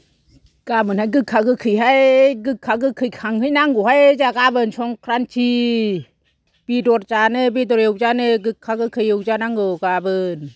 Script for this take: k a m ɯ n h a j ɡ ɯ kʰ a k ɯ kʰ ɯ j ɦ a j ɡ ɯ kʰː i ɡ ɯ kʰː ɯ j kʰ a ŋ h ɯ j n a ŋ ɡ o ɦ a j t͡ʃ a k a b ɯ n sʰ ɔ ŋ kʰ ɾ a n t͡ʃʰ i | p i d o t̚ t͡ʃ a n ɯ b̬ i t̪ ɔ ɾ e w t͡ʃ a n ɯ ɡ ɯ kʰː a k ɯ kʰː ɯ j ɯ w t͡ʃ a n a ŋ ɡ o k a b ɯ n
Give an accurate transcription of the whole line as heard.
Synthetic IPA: k a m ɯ n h a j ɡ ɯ kʰ a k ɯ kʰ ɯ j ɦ a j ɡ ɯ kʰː a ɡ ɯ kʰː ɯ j kʰ a ŋ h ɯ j n a ŋ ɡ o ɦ a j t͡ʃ a k a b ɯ n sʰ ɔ ŋ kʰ ɾ a n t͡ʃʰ i | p i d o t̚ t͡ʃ a n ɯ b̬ i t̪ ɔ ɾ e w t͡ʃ a n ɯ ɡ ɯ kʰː a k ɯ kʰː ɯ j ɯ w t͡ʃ a n a ŋ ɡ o k a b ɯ n